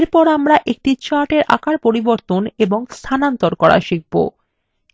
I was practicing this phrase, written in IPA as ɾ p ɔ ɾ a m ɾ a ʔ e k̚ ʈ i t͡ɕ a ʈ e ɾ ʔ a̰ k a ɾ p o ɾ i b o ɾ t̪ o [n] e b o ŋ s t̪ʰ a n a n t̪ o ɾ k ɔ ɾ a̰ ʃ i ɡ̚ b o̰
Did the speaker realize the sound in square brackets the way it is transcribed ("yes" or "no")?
yes